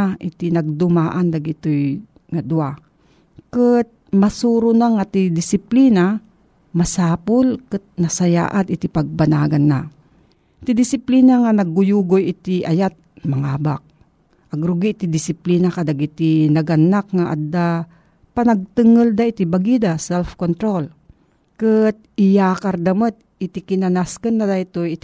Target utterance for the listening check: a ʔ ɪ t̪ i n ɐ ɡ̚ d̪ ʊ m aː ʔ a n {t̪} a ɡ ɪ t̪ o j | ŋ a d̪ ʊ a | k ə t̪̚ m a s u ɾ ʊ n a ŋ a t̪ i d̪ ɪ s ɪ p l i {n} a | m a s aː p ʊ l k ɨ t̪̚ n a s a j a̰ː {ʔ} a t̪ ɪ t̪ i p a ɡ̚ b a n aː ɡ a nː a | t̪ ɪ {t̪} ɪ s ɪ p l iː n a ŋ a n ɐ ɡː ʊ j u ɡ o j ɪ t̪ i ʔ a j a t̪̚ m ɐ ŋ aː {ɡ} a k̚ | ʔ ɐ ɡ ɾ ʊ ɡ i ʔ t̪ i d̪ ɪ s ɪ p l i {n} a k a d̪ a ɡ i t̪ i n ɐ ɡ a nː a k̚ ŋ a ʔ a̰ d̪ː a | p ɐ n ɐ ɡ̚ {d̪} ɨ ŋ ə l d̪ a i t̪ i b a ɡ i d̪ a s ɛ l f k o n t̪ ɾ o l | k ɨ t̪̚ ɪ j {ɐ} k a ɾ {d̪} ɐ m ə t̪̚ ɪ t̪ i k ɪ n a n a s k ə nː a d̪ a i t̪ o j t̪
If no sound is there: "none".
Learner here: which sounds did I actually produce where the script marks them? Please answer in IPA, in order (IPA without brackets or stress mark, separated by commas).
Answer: d̪, n, ʔ, d̪, b, n, t̪, a, d̪